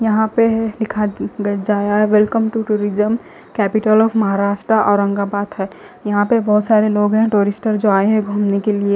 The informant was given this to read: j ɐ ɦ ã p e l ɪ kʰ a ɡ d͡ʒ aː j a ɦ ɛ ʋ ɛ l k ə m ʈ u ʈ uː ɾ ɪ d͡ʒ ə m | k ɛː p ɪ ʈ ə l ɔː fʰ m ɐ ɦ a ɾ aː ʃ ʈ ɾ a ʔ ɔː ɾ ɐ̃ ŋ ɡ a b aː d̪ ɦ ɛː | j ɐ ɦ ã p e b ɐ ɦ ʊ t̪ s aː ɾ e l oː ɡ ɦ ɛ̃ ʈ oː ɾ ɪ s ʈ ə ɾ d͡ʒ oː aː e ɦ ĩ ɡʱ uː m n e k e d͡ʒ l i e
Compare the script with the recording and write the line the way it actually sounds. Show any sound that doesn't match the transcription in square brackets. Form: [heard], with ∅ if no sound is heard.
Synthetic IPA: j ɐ ɦ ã p e l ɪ kʰ a ɡ d͡ʒ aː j a ɦ ɛ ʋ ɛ l k ə m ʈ u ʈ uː ɾ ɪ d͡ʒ ə m | k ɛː p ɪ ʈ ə l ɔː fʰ m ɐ ɦ a ɾ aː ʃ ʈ ɾ a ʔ ɔː ɾ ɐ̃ ŋ ɡ a b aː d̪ ɦ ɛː | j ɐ ɦ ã p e b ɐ ɦ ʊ t̪ s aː ɾ e l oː ɡ ɦ ɛ̃ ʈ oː ɾ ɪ s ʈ ə ɾ d͡ʒ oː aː e ɦ [ɛ̃] ɡʱ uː m n e k e [∅] l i e